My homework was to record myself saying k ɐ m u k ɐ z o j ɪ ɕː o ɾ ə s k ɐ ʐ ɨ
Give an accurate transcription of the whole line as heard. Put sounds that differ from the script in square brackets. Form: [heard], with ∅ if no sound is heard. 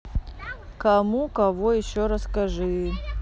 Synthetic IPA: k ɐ m u k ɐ [v] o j ɪ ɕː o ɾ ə s k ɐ ʐ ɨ